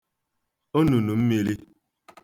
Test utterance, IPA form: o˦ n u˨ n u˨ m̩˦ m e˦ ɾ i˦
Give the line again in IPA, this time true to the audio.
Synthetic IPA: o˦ n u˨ n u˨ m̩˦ m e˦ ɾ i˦